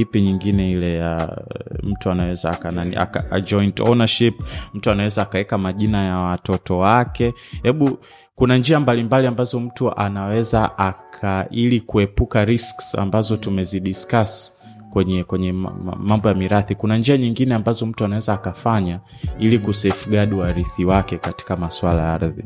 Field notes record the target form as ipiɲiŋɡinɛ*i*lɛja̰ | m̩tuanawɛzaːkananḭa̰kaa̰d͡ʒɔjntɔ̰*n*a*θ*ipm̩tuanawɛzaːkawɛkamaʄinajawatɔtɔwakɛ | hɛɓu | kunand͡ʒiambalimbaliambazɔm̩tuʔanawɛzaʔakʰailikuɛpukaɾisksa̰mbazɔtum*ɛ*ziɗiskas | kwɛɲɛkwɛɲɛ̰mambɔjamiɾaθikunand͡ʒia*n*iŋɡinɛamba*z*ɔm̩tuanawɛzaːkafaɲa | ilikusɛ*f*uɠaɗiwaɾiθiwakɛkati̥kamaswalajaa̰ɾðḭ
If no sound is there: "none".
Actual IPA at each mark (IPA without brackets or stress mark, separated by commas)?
i, n, ʃ, ɛ, ɲ, z, f